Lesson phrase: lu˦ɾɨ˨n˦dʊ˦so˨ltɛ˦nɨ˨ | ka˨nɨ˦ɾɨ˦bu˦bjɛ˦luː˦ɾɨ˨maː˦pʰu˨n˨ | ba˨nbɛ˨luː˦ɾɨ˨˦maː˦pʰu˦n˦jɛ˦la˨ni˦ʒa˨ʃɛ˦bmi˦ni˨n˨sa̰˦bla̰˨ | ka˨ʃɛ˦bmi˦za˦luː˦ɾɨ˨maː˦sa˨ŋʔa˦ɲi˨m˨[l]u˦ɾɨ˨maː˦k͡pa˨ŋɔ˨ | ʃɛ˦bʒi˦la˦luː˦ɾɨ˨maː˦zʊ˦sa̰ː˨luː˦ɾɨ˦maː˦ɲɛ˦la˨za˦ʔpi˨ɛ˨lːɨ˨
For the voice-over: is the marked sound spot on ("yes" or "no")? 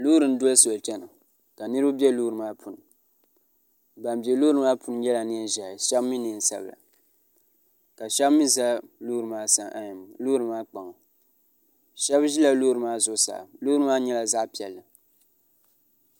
yes